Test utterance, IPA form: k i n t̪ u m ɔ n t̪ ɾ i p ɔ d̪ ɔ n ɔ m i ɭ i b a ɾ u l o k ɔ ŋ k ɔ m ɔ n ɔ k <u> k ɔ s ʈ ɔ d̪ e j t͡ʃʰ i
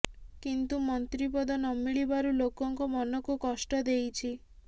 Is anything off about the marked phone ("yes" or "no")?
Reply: no